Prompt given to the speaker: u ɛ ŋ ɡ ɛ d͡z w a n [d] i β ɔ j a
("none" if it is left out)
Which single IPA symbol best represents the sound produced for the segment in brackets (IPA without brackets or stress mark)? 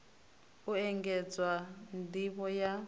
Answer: d